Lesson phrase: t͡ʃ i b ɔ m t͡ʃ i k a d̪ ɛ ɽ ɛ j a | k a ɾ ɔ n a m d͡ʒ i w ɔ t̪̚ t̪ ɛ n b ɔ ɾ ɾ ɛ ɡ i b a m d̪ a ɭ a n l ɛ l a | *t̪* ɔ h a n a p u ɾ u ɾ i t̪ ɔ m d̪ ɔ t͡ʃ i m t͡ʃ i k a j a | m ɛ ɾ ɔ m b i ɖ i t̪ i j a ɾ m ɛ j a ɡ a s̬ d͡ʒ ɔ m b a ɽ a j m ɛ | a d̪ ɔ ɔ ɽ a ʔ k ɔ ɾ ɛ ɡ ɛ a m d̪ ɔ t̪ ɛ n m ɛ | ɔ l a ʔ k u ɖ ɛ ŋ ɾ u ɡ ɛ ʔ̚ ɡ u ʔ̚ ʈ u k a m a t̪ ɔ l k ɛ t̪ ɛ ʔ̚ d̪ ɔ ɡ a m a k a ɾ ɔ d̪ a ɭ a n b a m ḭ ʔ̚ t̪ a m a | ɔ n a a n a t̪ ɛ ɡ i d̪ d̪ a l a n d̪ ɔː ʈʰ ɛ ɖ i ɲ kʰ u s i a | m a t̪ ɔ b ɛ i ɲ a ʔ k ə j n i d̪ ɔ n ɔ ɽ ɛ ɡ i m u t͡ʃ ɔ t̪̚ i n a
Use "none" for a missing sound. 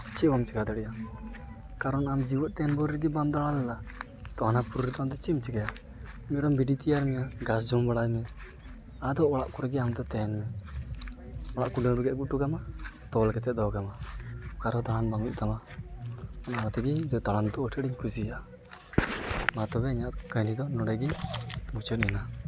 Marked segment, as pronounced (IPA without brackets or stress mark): t̪